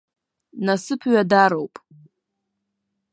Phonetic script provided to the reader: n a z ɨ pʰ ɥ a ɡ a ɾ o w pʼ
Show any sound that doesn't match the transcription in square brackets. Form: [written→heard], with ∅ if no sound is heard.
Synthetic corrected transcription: n a [z→s] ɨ pʰ ɥ a [ɡ→d] a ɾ o w pʼ